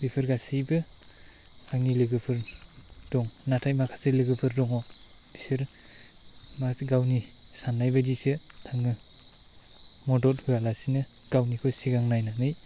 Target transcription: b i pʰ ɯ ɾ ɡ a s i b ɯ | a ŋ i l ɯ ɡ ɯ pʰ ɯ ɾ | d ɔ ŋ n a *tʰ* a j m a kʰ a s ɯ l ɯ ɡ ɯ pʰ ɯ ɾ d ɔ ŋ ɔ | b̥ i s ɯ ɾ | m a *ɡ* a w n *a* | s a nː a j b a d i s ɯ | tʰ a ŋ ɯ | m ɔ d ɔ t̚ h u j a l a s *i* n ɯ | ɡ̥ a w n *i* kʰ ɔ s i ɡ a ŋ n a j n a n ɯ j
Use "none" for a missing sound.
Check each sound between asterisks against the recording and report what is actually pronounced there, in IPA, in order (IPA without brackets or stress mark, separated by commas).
tʰ, ɡ, i, i, i